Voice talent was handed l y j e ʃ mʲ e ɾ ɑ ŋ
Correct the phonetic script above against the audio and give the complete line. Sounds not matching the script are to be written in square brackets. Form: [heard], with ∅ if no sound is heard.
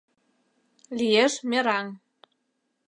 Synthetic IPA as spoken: l [i] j e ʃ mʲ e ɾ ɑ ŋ